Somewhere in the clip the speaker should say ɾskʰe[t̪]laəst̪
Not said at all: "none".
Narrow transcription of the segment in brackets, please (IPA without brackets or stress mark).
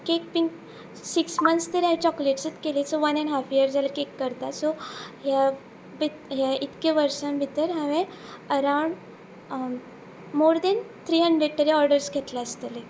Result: t̪